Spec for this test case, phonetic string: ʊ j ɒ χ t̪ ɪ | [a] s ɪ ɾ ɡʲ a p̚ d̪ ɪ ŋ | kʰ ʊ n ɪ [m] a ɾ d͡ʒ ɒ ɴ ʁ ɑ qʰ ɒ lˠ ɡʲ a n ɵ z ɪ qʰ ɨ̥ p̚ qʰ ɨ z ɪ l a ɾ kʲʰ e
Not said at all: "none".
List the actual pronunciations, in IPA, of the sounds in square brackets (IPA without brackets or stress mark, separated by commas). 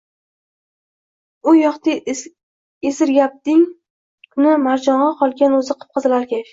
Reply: e, m